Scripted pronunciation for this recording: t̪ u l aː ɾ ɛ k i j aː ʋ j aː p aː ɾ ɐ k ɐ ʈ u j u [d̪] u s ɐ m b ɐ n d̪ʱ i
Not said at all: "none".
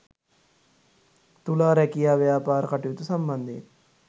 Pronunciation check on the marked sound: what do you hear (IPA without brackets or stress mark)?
t̪